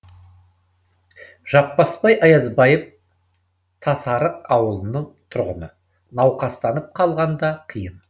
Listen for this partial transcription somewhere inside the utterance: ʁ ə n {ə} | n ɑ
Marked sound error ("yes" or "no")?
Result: no